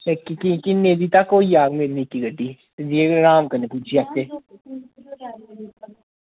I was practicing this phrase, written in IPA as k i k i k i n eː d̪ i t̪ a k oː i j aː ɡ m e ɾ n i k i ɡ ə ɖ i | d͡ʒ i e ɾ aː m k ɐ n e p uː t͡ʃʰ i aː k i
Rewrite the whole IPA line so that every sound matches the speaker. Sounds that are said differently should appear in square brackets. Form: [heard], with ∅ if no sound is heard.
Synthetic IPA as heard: k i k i k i n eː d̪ i t̪ a k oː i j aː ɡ m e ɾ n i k i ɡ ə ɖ i | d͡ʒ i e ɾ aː m k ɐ n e p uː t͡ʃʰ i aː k [e]